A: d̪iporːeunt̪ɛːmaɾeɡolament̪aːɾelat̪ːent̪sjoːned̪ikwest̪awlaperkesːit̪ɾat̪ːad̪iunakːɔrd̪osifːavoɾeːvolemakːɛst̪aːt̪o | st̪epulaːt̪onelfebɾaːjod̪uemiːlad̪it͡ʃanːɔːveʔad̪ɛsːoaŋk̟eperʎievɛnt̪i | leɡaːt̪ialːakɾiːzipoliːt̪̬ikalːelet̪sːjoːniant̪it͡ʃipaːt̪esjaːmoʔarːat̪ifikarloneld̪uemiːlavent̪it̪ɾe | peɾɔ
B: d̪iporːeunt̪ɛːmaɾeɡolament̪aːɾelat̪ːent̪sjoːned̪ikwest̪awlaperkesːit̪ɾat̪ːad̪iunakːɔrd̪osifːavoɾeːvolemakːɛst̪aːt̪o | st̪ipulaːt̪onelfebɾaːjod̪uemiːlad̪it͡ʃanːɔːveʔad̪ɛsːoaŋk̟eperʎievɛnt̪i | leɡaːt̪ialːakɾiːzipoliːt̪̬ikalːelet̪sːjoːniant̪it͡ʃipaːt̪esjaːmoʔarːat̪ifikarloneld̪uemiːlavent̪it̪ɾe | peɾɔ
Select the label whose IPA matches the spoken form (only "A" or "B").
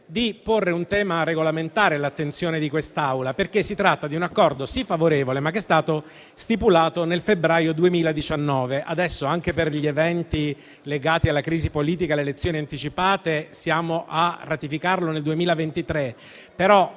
B